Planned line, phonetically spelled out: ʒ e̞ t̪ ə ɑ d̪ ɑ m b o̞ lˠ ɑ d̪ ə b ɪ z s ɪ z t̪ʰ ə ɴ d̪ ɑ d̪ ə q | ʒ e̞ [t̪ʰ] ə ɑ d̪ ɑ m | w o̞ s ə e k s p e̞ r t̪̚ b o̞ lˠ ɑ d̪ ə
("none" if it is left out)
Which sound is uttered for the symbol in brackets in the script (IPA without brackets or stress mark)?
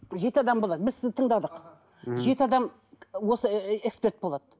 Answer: t̪